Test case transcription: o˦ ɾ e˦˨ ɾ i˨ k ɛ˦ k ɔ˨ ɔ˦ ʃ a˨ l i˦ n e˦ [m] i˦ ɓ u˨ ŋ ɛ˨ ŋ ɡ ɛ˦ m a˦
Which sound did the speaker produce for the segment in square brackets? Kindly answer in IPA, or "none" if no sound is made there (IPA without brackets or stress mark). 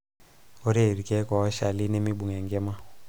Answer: m